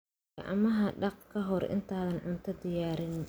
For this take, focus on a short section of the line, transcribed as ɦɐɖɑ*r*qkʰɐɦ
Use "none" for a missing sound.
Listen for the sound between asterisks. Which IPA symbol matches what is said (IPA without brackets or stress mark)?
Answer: none